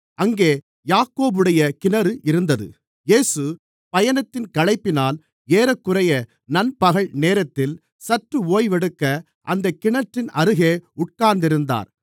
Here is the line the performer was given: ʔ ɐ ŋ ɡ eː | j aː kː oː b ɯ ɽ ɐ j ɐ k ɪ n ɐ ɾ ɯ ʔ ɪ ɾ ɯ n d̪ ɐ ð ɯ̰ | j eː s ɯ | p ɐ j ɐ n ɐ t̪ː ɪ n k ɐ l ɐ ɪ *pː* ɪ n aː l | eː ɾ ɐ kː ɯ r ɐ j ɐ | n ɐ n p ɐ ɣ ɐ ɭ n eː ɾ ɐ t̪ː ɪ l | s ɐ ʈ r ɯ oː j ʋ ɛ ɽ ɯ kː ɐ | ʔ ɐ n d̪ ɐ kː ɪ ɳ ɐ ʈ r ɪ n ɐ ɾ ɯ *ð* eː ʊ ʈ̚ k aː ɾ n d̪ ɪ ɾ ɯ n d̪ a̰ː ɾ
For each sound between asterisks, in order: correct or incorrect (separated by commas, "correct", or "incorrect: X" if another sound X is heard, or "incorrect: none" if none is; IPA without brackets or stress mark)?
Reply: correct, incorrect: ɣ